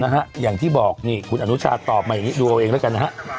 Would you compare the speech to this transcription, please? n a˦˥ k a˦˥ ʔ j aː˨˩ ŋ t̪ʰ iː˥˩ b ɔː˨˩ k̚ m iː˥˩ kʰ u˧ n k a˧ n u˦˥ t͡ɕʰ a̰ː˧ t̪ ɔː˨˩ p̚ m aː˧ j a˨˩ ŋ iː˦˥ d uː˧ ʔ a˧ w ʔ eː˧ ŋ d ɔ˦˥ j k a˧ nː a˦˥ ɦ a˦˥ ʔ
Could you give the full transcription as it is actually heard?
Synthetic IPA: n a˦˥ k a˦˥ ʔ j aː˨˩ ŋ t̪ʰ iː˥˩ b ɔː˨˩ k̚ n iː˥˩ kʰ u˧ n ʔ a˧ n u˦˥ t͡ɕʰ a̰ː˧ t̪ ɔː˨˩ p̚ m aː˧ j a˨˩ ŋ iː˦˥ d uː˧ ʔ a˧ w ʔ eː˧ ŋ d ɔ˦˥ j k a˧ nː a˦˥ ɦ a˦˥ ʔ

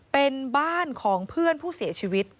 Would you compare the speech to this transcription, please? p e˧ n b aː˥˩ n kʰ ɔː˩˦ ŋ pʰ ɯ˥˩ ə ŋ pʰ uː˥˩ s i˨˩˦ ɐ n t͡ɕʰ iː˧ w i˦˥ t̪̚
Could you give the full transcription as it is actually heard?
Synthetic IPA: p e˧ n b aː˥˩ n kʰ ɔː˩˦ ŋ pʰ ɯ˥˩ ə n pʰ uː˥˩ s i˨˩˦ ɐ t͡ɕʰ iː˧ w i˦˥ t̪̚

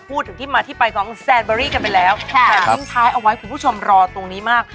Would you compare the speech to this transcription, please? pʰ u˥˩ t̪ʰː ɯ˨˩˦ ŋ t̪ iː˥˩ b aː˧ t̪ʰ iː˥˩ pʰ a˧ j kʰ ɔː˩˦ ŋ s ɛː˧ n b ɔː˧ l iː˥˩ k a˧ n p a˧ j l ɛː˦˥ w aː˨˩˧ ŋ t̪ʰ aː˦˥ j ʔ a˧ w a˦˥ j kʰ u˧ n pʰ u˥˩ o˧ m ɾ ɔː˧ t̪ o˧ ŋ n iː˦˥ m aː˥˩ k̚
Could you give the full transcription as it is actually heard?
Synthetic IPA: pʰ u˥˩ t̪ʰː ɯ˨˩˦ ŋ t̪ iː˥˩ m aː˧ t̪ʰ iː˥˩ p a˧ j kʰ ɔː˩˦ ŋ s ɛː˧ n b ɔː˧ ɾ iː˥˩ k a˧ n p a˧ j l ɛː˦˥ w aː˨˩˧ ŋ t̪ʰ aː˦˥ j ʔ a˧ w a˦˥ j kʰ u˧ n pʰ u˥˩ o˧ m ɾ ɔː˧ t̪ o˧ ŋ n iː˦˥ m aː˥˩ k̚

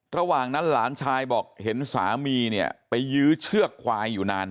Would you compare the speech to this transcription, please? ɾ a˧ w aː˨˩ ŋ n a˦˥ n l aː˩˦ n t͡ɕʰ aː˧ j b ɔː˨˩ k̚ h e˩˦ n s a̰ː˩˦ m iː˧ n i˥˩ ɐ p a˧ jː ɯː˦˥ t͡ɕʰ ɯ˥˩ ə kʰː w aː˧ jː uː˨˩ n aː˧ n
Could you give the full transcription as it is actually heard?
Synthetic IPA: ɾ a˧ w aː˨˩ ŋ n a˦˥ n l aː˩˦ n t͡ɕʰ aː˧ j b ɔː˨˩ k̚ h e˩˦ n s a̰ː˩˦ m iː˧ n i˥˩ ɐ p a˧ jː ɯː˦˥ t͡ɕʰ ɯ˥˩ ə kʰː w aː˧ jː uː˨˩ n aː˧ n

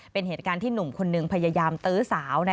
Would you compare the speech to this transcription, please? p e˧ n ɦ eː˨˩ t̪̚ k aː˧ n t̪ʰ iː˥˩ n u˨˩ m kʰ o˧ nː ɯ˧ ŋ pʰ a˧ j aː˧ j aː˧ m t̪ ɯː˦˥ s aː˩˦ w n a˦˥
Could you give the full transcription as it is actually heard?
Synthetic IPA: p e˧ n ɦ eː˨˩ t̪̚ k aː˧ n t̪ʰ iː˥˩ n u˨˩ m kʰ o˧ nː ɯ˧ ŋ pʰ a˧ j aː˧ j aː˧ m t̪ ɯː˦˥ s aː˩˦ w n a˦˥

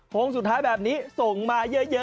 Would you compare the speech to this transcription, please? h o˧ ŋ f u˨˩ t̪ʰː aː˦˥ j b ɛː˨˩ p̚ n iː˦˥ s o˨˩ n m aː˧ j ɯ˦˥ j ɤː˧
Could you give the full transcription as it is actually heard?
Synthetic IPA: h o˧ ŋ s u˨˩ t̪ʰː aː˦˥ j b ɛː˨˩ p̚ n iː˦˥ s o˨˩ ŋ m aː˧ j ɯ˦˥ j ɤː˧

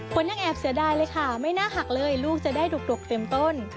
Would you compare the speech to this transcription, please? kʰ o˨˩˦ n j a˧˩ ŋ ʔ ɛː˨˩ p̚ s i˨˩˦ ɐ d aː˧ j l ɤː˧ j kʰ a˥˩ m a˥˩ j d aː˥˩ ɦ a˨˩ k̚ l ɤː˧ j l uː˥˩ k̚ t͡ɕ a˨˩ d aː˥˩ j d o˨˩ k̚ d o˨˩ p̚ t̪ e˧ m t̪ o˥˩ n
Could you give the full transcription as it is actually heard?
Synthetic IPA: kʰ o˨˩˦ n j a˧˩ ŋ ʔ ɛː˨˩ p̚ s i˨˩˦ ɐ d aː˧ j l ɤː˧ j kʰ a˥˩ m a˥˩ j n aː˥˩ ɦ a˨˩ k̚ l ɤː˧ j l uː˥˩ k̚ t͡ɕ a˨˩ d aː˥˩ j d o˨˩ k̚ d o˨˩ k̚ t̪ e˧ m t̪ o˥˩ n

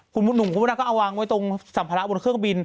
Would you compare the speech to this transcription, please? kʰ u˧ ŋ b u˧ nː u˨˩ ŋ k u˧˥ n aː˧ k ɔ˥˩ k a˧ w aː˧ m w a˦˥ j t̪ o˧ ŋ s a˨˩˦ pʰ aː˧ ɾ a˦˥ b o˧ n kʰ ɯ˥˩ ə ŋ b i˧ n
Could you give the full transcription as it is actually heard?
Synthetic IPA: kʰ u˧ n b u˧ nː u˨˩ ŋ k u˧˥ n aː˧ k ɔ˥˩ ʔ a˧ w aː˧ ŋ w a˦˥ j t̪ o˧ ŋ s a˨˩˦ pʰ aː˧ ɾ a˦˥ b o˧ n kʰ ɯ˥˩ ə ŋ b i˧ n

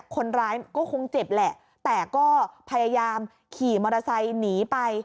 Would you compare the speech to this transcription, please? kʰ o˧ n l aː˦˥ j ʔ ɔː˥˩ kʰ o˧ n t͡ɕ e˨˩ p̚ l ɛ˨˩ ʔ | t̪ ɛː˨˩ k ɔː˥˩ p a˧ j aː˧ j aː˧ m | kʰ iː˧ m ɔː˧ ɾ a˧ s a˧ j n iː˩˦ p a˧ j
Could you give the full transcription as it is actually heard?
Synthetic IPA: kʰ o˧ n ɾ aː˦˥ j k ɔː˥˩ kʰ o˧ ŋ t͡ɕ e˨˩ p̚ l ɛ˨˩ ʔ | t̪ ɛː˨˩ k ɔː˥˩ pʰ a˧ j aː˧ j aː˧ m | kʰ iː˨˩ m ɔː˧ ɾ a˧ s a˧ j n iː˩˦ p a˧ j

